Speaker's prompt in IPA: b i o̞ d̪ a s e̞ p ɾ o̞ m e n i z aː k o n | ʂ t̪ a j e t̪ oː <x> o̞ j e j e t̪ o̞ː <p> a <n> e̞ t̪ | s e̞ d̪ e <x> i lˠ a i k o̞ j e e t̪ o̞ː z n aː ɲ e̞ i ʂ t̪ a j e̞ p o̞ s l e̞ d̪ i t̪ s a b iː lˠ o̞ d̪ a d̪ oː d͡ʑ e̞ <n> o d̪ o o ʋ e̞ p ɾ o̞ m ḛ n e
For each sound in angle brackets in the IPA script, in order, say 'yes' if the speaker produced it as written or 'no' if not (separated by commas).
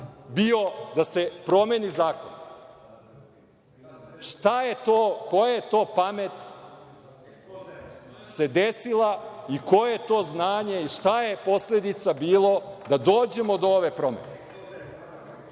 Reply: no, yes, no, no, no